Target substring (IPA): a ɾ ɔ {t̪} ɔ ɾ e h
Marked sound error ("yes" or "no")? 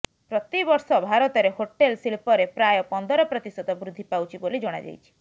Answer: no